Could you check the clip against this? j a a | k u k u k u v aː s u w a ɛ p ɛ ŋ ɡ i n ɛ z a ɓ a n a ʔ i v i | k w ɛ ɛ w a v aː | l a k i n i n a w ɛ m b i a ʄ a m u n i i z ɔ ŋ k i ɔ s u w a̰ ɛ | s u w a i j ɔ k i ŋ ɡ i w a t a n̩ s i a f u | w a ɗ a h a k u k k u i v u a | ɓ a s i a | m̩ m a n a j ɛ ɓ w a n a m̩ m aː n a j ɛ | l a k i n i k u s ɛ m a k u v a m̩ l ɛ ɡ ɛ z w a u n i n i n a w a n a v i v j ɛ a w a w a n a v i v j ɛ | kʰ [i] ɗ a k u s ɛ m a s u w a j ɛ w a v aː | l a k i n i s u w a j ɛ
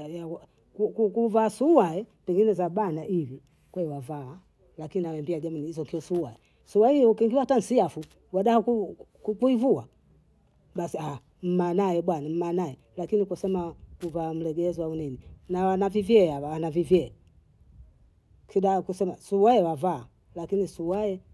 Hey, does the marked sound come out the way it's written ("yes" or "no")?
yes